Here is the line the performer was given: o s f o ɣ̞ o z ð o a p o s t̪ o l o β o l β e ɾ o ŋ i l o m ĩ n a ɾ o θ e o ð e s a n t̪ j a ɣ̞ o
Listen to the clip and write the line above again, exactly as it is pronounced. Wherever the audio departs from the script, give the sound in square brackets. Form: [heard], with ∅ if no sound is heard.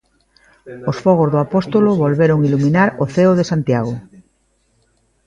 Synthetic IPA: o s f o ɣ̞ o z ð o a p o s t̪ o l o β o l β e ɾ o ŋ i l [u] m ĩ n a ɾ o θ e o ð e s a n t̪ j a ɣ̞ o